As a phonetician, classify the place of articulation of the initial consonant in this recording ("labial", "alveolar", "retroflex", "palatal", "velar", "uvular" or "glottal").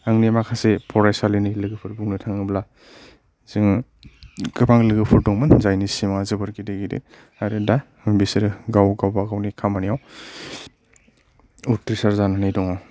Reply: velar